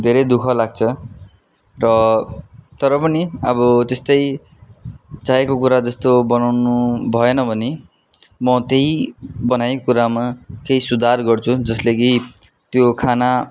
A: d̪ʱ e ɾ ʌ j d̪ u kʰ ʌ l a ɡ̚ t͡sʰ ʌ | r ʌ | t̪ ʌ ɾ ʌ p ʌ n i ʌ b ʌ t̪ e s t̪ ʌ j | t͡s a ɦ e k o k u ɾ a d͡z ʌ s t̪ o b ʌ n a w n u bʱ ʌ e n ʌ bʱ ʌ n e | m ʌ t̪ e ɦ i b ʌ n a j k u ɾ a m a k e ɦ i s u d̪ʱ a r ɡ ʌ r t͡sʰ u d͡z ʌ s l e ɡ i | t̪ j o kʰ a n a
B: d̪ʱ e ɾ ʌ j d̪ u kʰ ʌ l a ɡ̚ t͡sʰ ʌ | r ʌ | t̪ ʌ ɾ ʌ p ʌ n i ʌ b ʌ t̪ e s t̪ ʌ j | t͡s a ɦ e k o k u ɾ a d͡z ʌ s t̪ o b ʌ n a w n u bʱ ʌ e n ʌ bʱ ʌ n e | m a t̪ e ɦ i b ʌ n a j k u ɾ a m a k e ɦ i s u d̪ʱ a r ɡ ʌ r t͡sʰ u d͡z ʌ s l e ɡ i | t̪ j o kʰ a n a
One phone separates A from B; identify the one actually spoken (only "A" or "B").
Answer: A